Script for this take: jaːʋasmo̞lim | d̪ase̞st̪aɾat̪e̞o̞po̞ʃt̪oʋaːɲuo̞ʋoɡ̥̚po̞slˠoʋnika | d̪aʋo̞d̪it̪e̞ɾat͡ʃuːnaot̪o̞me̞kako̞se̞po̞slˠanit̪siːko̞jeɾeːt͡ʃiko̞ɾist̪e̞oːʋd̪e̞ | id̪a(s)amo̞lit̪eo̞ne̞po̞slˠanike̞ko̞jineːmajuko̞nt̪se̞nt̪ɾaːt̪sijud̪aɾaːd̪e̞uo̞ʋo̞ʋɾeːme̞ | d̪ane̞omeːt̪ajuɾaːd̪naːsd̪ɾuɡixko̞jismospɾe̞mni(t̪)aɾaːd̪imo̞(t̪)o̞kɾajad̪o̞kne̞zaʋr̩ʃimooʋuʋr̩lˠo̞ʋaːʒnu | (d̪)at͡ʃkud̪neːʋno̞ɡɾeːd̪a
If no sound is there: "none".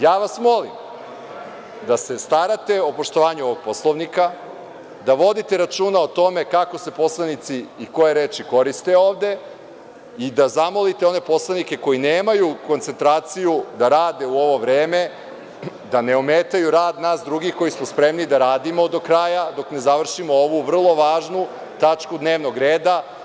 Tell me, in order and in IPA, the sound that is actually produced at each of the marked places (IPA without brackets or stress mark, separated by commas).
z, d̪, d̪, t̪